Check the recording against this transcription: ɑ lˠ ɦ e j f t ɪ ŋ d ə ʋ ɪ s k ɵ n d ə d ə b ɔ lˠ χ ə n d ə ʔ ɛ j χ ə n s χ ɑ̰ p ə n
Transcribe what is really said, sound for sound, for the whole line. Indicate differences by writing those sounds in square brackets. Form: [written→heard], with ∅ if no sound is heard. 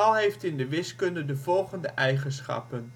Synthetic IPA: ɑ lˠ ɦ e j f t ɪ [ŋ→n] d ə ʋ ɪ s k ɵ n d ə d ə [b→v] ɔ lˠ χ ə n d ə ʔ ɛ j χ ə n s χ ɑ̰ p ə n